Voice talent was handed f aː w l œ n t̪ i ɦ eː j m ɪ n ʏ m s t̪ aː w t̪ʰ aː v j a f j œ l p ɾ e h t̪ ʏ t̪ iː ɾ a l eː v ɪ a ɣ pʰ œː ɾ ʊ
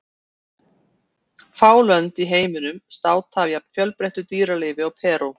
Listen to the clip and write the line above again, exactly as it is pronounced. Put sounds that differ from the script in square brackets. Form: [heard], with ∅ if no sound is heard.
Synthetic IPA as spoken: f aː w l œ n t̪ i ɦ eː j m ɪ n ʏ m s t̪ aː w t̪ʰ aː v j a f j œ l p ɾ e h t̪ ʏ t̪ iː ɾ a l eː v ɪ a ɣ pʰ [ɛː] ɾ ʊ